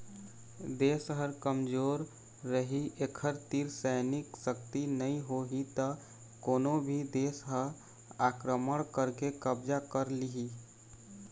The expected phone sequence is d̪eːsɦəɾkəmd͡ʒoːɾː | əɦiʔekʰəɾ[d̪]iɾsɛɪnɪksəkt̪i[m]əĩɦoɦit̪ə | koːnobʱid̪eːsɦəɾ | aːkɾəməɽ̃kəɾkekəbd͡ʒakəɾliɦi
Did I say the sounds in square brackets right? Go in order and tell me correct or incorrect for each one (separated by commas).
incorrect, incorrect